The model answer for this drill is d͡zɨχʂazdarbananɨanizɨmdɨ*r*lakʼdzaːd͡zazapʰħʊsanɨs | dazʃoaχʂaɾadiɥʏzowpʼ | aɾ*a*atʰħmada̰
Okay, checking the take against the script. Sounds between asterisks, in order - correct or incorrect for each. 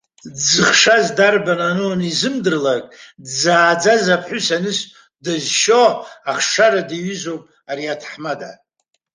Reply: correct, incorrect: i

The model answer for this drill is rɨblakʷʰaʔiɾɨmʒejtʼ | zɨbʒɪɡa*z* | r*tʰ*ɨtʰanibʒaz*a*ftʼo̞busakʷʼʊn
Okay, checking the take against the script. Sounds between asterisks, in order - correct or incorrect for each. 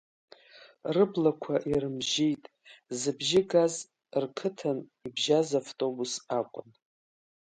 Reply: correct, incorrect: kʰ, correct

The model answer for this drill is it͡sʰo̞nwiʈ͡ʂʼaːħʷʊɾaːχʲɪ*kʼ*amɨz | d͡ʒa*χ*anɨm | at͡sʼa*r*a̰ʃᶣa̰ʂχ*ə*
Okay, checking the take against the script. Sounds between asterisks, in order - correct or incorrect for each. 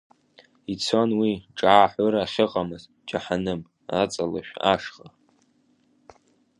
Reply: incorrect: qʼ, incorrect: ħ, incorrect: l, incorrect: a

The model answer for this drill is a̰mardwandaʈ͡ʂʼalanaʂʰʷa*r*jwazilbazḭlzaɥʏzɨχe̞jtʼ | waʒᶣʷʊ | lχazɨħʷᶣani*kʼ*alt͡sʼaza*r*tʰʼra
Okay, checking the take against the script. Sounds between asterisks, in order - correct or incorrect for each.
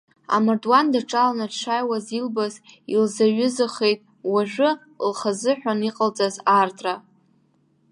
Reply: incorrect: none, incorrect: qʼ, correct

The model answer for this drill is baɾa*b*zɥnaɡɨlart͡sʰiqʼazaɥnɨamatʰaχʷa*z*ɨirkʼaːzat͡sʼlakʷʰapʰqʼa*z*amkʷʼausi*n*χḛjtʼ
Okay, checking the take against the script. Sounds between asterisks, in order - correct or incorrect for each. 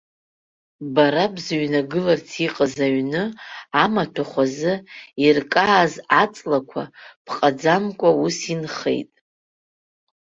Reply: correct, correct, incorrect: d͡z, correct

